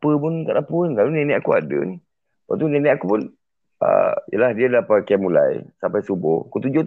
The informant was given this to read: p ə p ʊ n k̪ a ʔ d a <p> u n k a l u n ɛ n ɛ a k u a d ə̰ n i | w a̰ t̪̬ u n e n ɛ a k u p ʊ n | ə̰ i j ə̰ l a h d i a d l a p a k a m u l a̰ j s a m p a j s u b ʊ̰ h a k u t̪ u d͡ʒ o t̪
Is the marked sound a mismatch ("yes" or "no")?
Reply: no